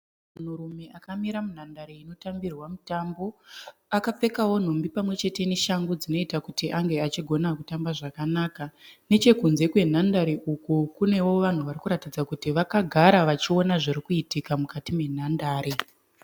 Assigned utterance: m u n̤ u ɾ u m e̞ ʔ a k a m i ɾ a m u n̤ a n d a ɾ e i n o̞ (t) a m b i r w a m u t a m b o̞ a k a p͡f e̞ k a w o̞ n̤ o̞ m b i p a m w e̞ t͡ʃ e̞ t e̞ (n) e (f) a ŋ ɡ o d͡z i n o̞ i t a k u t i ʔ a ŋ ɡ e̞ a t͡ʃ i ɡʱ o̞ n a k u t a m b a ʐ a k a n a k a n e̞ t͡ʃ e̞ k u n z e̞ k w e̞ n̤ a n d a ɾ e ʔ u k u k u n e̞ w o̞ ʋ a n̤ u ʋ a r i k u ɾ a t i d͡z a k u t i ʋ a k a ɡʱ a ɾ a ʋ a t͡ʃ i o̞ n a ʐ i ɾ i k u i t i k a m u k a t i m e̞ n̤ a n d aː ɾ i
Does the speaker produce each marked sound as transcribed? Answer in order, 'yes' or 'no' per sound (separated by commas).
yes, yes, no